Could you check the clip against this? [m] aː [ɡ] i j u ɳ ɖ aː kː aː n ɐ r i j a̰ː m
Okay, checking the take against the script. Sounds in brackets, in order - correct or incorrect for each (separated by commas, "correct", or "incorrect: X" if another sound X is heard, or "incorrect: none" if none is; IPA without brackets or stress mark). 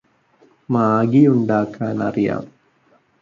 correct, correct